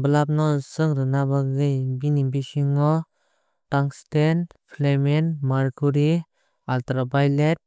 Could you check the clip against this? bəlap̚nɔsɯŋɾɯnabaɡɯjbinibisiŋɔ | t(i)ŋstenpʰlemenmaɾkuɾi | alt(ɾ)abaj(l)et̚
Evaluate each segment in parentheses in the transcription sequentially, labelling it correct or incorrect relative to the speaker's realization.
incorrect: a, correct, correct

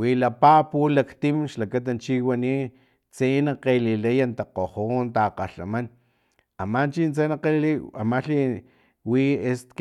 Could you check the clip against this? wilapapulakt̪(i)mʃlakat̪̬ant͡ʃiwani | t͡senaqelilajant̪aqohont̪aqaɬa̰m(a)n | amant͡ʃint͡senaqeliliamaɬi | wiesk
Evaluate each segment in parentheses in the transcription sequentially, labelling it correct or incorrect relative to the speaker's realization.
correct, correct

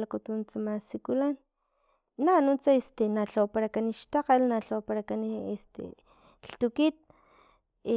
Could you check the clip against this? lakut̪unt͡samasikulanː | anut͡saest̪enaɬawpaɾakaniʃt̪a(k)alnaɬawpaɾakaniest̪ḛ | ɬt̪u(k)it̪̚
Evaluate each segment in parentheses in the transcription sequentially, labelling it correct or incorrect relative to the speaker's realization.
incorrect: q, correct

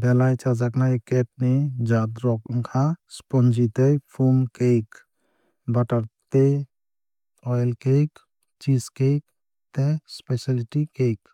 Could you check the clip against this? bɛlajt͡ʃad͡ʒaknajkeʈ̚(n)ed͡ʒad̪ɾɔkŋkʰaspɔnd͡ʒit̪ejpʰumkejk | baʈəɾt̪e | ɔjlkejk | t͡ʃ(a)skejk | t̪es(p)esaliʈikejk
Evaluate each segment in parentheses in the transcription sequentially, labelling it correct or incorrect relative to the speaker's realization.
correct, incorrect: i, correct

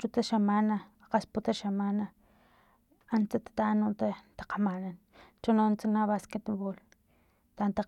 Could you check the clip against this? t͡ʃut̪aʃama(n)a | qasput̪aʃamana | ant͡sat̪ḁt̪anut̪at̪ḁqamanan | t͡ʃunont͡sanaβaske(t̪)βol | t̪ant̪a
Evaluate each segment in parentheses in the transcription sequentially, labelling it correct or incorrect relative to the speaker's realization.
correct, correct

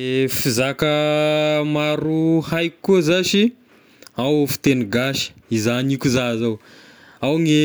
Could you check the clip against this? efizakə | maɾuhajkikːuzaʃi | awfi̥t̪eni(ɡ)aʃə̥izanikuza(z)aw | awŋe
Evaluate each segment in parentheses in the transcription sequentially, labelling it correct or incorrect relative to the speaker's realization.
correct, correct

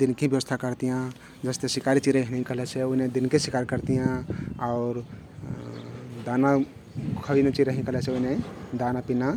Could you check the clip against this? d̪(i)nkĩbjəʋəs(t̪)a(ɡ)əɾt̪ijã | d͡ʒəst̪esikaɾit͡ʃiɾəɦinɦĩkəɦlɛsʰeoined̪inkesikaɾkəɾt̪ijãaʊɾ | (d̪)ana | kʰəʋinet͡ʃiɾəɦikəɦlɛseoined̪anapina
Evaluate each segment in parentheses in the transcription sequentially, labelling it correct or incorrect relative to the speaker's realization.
correct, incorrect: t̪ʰ, incorrect: k, correct

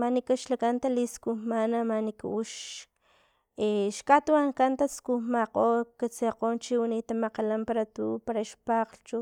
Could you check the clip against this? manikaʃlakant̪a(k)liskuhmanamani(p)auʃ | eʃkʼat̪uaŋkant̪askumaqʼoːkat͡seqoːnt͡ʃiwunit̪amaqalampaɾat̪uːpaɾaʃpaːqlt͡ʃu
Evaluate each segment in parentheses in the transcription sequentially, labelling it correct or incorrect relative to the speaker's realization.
incorrect: none, incorrect: k

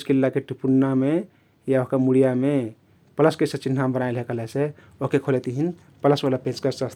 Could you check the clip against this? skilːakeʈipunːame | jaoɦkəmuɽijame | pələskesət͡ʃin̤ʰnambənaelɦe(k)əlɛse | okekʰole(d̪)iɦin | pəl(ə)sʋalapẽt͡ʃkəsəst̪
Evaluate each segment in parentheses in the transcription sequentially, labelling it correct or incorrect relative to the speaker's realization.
correct, incorrect: t̪, correct

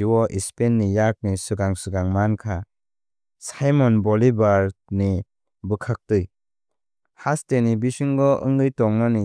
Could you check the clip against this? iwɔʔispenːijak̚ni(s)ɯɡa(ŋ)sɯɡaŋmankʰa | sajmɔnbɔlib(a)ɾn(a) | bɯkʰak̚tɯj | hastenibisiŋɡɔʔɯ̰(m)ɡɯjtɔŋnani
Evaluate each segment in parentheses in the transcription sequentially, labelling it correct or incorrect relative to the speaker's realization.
correct, correct, correct, incorrect: i, incorrect: ŋ

